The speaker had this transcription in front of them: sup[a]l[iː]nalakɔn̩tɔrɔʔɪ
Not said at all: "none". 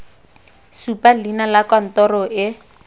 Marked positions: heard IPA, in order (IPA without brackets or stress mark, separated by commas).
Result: a, i